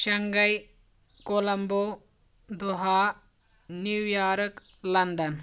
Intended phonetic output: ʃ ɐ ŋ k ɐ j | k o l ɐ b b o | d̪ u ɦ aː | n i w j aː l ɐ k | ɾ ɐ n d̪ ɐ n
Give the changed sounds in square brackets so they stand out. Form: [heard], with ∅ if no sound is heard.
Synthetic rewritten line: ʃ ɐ ŋ [ɡ] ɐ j | k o l ɐ [m] b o | d̪ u ɦ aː | n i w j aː [ɾ] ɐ k | [l] ɐ n d̪ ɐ n